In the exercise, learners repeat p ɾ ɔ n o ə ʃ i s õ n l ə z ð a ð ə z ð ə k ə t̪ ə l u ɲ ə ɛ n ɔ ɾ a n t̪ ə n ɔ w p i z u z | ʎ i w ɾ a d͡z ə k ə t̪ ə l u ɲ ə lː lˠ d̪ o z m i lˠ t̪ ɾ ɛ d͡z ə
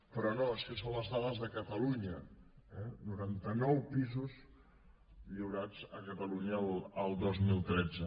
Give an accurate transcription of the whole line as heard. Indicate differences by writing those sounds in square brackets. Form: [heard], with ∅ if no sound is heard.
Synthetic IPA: p ɾ ɔ n o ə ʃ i s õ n l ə z ð a ð ə z ð ə k ə t̪ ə l u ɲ ə ɛ n [u] ɾ a n t̪ ə n ɔ w p i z u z | ʎ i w ɾ a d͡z ə k ə t̪ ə l u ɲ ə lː lˠ d̪ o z m i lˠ t̪ ɾ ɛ d͡z ə